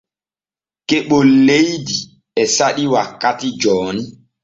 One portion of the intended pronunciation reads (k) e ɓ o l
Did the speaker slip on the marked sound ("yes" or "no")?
no